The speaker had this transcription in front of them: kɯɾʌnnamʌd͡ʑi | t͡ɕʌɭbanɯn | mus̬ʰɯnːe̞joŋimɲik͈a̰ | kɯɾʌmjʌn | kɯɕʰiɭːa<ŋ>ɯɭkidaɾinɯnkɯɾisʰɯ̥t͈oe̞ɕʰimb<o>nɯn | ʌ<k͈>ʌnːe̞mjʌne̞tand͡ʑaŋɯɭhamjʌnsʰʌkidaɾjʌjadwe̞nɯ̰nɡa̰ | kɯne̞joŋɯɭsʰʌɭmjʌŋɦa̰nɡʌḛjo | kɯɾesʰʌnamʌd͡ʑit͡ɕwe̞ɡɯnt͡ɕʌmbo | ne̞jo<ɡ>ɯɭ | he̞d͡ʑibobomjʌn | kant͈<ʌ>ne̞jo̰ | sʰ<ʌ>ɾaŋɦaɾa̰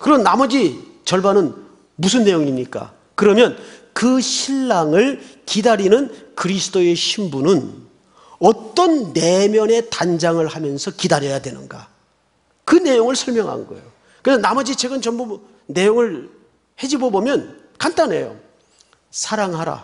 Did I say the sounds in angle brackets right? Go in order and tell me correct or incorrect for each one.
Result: correct, incorrect, incorrect, incorrect, incorrect, incorrect

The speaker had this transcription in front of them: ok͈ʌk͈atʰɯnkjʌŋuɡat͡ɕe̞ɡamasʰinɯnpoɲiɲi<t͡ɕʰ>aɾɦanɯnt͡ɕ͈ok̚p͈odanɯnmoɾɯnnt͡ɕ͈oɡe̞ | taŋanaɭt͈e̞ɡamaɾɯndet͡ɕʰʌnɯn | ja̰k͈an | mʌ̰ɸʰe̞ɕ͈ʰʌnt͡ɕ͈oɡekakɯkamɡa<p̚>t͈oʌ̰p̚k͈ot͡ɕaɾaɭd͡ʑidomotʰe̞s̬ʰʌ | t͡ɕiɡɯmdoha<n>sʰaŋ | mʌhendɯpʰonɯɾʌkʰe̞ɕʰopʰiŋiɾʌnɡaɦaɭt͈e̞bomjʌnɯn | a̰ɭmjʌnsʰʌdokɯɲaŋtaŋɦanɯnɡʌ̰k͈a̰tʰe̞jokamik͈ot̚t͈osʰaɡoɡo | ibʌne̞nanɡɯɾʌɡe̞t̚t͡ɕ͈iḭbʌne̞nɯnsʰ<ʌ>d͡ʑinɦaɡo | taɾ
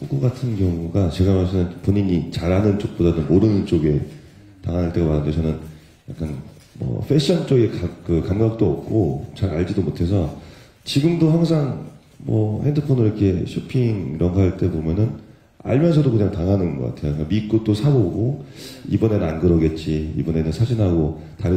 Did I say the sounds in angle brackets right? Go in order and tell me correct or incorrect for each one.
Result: incorrect, incorrect, incorrect, incorrect

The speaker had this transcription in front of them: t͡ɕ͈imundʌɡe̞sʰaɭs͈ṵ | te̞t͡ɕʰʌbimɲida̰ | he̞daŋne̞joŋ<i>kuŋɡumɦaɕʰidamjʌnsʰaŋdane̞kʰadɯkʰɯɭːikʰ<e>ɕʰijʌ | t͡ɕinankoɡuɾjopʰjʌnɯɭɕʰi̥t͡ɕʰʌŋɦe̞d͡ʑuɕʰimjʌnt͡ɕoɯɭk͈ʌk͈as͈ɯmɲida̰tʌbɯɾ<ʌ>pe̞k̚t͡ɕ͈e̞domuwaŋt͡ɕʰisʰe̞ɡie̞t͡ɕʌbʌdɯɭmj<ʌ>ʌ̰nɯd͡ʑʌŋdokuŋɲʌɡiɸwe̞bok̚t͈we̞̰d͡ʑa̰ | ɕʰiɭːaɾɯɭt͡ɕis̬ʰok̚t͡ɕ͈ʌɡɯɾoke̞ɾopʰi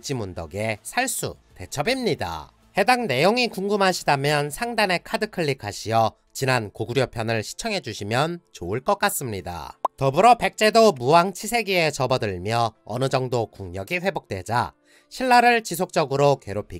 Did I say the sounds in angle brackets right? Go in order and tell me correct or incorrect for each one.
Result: correct, incorrect, correct, correct

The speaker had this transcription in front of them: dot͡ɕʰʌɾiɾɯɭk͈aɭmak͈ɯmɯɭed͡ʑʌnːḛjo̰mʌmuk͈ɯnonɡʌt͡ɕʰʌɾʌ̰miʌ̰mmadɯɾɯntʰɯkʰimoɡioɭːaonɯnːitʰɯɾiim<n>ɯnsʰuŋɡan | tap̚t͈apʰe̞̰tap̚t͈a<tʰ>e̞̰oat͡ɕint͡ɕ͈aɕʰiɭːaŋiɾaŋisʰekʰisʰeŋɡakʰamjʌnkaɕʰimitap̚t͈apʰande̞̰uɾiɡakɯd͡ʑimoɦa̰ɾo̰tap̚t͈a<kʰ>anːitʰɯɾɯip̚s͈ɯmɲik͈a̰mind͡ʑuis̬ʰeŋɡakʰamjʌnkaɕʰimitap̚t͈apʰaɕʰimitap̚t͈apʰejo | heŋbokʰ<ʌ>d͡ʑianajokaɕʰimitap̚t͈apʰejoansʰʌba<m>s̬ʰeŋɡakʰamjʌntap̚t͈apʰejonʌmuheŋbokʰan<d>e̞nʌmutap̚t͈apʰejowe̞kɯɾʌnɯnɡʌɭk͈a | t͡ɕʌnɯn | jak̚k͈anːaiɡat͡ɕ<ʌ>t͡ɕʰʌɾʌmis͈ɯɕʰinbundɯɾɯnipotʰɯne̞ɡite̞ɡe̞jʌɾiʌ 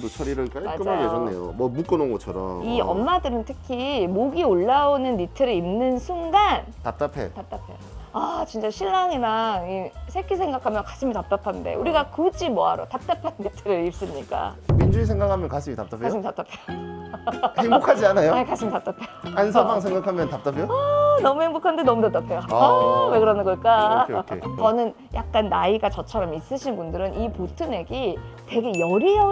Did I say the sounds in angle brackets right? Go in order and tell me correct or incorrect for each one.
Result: correct, incorrect, incorrect, incorrect, incorrect, correct, correct

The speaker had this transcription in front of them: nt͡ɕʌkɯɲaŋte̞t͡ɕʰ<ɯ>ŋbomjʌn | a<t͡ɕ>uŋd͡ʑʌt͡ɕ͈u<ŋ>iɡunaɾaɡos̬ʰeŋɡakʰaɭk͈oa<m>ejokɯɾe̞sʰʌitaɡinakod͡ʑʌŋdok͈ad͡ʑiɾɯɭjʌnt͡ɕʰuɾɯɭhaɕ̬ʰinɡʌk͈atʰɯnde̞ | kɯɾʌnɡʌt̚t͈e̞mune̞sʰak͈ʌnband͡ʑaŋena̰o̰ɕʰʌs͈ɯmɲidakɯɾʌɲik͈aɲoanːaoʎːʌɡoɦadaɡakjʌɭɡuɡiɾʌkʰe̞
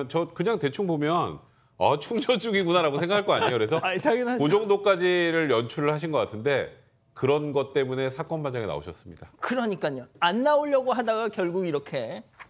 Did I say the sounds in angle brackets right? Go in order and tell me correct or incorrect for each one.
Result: incorrect, incorrect, incorrect, incorrect

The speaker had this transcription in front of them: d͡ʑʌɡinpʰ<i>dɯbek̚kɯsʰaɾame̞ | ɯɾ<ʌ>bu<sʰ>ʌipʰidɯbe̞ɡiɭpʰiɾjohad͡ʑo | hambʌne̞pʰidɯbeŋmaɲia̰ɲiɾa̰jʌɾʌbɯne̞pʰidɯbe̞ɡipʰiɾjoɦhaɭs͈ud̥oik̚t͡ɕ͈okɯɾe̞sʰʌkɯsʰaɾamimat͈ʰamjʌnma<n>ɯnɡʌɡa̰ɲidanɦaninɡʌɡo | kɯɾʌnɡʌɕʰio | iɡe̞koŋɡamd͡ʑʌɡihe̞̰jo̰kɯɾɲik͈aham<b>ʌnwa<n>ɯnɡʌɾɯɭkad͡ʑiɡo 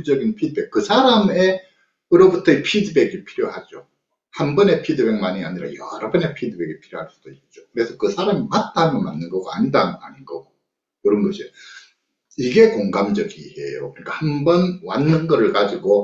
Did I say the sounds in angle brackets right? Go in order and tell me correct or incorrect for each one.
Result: correct, correct, incorrect, incorrect, correct, incorrect

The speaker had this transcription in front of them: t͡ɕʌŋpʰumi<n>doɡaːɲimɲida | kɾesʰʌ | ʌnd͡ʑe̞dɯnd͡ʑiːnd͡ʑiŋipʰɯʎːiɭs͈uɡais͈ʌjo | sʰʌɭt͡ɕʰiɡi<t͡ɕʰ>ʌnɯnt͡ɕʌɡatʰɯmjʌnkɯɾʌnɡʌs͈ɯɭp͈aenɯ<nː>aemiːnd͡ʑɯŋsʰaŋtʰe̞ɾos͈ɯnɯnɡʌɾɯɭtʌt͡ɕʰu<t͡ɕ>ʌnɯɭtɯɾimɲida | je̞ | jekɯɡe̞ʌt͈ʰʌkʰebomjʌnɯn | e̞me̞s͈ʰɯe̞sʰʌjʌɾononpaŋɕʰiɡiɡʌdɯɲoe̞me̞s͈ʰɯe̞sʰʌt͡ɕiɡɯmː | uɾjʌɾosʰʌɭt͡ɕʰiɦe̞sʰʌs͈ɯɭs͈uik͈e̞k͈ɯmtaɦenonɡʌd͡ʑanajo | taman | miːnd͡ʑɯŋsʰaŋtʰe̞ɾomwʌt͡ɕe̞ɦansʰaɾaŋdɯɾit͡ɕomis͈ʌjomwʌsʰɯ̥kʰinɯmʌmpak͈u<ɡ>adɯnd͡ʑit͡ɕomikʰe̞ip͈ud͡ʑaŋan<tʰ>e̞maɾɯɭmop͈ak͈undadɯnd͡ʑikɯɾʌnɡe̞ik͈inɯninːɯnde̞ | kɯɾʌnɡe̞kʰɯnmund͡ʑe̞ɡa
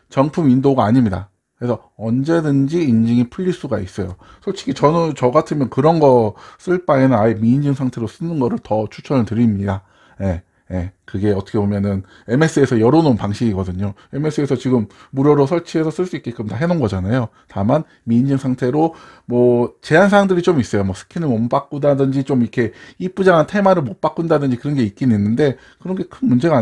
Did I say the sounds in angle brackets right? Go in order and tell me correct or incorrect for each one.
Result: correct, incorrect, incorrect, incorrect, incorrect, correct

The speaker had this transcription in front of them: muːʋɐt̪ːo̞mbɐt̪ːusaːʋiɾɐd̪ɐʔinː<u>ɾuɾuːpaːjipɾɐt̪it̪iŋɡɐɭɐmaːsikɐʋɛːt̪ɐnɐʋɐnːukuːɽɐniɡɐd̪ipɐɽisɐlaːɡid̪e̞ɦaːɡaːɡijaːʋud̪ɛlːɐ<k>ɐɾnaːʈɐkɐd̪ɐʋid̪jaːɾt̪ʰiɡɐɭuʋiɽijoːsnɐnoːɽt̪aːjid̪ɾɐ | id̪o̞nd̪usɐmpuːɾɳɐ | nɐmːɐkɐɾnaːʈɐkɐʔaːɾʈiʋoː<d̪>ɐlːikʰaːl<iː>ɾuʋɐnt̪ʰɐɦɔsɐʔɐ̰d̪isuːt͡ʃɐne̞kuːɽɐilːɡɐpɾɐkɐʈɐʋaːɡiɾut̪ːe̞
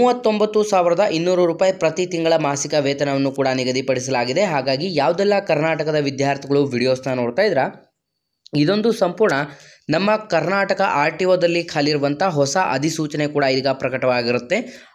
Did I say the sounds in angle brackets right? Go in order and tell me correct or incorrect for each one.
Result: incorrect, correct, correct, incorrect

